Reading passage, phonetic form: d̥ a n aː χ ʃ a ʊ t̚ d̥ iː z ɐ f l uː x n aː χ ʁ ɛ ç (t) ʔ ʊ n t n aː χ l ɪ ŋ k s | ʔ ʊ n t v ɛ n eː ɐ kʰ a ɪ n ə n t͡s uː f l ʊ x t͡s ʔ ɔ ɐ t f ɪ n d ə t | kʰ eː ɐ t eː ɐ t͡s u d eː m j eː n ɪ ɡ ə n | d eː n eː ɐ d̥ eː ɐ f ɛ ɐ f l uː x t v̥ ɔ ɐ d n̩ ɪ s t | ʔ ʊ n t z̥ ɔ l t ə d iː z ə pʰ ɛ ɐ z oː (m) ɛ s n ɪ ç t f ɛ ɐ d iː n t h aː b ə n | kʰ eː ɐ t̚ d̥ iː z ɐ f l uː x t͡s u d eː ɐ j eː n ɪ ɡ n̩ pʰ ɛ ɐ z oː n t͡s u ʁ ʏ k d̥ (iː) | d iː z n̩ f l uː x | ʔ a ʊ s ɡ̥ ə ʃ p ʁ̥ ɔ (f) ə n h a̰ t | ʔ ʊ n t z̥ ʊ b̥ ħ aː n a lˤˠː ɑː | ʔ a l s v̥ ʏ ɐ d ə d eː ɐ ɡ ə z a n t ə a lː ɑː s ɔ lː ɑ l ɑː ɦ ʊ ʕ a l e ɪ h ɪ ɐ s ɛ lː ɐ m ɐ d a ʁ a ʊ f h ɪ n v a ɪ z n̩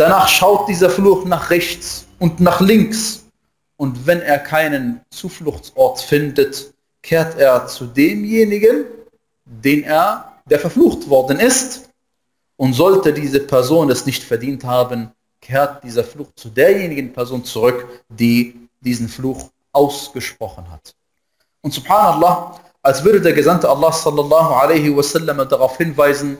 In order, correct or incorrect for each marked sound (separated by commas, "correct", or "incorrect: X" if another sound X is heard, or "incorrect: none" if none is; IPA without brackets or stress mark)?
incorrect: t͡s, incorrect: n, correct, incorrect: χ